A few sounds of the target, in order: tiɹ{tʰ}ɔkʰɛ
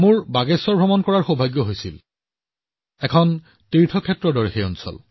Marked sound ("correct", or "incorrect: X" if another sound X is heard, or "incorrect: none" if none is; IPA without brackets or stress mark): correct